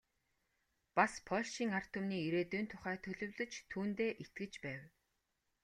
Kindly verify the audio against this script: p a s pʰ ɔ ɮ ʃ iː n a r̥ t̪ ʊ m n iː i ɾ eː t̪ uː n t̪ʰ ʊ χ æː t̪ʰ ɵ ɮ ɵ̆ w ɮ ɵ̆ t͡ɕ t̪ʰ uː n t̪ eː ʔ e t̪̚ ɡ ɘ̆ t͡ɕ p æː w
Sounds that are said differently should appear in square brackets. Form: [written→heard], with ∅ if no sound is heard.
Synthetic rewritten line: p a s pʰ ɔ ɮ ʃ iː [n→ŋ] a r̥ t̪ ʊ m n iː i ɾ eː t̪ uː n t̪ʰ ʊ χ æː t̪ʰ ɵ ɮ ɵ̆ w ɮ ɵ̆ t͡ɕ t̪ʰ uː n t̪ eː ʔ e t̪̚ ɡ ɘ̆ t͡ɕ p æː w